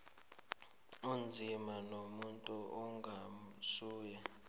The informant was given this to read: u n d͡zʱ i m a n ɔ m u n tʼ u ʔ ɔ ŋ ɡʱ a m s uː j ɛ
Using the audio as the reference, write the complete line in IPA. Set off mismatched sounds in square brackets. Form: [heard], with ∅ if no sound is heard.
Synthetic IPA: u n d͡zʱ i m a n [o] m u n tʼ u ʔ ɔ ŋ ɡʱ a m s uː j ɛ